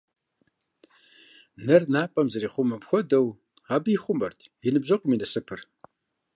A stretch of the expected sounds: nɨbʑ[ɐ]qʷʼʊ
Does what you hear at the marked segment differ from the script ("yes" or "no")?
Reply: no